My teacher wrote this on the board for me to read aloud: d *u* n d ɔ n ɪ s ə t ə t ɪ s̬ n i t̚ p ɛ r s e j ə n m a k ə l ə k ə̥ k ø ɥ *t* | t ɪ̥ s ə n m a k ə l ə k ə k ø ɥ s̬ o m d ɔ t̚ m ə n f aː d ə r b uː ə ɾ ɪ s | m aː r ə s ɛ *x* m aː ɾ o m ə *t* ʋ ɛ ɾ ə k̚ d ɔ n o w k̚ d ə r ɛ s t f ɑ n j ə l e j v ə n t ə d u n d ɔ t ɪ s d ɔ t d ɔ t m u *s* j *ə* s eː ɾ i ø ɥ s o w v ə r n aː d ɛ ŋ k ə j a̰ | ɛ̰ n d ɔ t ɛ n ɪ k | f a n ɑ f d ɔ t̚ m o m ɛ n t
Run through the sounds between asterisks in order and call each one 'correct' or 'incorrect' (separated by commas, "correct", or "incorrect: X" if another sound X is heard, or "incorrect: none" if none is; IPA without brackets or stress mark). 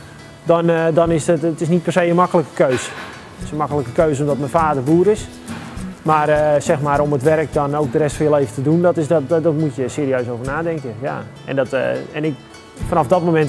incorrect: ɔ, incorrect: s, correct, correct, incorrect: t, correct